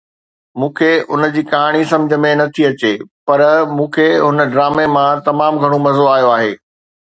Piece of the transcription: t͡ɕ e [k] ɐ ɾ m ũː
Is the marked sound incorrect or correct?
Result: incorrect